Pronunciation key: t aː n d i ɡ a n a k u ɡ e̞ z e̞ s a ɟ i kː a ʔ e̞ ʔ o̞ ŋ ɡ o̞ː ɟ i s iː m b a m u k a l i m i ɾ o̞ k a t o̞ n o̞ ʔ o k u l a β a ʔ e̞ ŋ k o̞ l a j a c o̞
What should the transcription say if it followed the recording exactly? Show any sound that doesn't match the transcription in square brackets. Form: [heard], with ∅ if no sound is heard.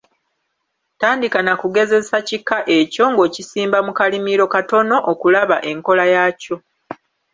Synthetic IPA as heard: t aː n d i [k] a n a k u ɡ e̞ z e̞ s a [c] i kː a ʔ e̞ [c] o̞ ŋ ɡ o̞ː [c] i s iː m b a m u k a l i m i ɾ o̞ k a t o̞ n o̞ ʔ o k u l a β a ʔ e̞ ŋ k o̞ l a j a c o̞